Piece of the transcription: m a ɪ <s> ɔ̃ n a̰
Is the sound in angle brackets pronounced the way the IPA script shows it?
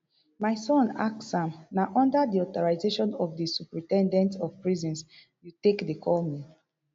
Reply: yes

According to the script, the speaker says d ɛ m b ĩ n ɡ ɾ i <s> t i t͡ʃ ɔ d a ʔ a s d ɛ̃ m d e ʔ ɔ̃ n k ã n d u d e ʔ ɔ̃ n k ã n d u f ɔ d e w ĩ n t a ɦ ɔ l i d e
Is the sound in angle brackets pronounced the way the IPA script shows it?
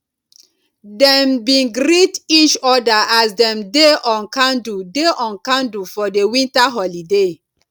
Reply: no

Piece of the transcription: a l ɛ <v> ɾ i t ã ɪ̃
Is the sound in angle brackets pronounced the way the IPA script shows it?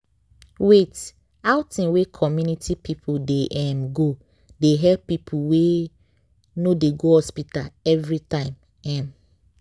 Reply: yes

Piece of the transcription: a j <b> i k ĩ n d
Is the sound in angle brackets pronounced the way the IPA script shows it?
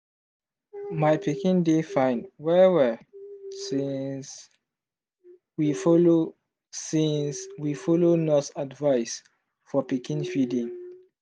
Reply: no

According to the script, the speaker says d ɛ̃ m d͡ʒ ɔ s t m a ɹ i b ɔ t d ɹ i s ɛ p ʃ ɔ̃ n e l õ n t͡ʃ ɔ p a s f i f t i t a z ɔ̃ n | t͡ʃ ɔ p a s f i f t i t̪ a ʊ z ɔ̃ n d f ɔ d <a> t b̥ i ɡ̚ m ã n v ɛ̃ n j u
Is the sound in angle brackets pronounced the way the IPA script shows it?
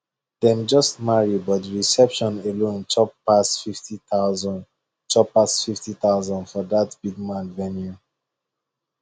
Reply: yes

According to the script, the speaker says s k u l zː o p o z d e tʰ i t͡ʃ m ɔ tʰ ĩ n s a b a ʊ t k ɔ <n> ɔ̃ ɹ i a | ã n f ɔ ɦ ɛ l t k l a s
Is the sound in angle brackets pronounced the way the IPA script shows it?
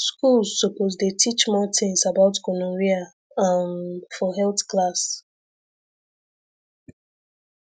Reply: yes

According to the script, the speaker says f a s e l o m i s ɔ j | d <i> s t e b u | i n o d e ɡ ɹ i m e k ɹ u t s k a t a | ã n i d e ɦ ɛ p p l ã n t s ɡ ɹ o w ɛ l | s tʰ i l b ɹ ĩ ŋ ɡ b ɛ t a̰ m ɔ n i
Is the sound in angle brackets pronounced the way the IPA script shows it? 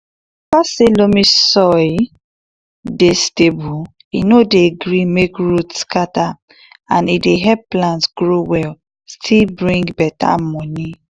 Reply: no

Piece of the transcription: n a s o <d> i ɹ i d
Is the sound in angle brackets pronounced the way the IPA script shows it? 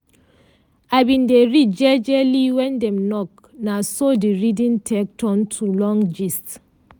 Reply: yes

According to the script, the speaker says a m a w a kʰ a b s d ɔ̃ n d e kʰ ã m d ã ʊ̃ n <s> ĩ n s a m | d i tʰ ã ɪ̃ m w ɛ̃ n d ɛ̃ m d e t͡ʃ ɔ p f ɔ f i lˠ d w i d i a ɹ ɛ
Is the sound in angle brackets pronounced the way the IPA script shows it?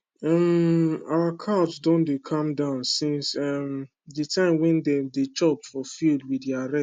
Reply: yes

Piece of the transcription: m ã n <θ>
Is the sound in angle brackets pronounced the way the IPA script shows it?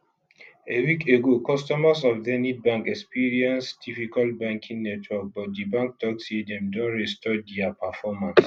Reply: no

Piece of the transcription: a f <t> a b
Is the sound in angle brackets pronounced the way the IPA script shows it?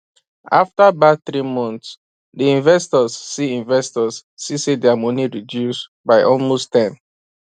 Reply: yes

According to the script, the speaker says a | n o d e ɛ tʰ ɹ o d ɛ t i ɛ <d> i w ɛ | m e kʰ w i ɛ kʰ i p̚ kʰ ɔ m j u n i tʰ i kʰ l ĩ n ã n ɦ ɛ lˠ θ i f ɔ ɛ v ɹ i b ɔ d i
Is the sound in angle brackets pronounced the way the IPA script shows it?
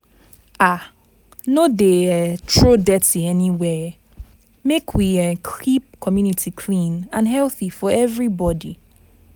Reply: no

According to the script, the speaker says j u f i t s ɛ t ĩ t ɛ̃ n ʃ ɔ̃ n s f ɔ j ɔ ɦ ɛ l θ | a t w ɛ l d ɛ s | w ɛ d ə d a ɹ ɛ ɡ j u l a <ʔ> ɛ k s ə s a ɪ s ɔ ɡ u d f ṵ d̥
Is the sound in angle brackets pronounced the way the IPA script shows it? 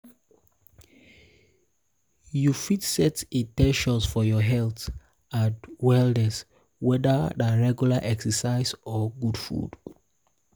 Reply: yes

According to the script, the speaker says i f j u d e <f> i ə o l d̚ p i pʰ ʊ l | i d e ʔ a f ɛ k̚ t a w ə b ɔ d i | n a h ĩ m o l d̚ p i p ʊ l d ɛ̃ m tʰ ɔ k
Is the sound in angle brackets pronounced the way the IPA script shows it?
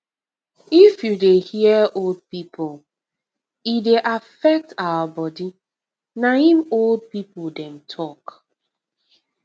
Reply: no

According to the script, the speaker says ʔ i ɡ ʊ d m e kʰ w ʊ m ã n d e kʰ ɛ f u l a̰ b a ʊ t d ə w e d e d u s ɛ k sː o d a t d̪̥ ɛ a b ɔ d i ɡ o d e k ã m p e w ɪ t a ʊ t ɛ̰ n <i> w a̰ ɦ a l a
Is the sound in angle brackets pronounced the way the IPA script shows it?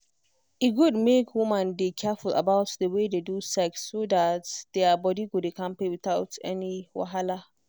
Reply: yes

